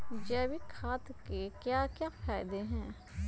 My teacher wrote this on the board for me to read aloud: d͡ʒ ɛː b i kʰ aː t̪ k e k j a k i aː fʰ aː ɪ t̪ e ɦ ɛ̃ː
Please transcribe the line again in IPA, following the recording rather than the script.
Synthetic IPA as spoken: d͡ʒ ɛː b i kʰ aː t̪ k e k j a k j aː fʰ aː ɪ d̪ e ɦ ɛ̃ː